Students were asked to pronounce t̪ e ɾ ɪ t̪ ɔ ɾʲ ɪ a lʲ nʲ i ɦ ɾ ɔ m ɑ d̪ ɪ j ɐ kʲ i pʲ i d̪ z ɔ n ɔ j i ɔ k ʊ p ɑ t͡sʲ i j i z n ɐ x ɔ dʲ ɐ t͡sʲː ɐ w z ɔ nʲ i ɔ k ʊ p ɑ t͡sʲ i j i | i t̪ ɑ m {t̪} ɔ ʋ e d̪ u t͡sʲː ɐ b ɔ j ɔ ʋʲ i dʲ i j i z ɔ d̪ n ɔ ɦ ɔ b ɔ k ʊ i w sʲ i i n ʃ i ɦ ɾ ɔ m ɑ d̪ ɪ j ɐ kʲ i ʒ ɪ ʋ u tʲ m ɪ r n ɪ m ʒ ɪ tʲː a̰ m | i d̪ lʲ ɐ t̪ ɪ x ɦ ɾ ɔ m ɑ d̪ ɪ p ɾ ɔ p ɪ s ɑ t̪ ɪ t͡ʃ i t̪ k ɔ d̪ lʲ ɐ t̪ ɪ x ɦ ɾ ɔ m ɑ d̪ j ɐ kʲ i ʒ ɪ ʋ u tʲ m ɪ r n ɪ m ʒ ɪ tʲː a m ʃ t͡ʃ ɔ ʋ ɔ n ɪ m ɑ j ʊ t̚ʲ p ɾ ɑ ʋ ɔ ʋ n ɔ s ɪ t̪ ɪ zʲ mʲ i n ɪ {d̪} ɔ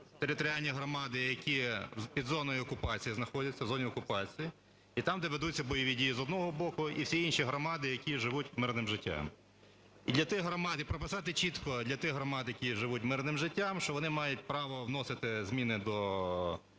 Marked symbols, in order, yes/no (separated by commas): no, yes